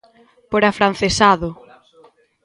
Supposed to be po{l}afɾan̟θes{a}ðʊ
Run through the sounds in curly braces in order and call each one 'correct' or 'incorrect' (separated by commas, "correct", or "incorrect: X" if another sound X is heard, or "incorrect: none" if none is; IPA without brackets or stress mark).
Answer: incorrect: ɾ, correct